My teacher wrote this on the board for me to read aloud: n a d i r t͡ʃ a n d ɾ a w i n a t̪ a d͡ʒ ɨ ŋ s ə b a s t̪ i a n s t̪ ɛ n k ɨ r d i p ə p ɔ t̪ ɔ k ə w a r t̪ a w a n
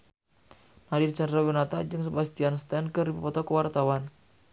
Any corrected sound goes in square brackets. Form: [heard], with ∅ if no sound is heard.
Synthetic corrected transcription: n a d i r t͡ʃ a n d ɾ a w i n a t̪ a d͡ʒ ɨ ŋ s ə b a s t̪ i a n s t̪ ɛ n k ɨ r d i p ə p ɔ t̪ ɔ k ə w a r t̪ a w a n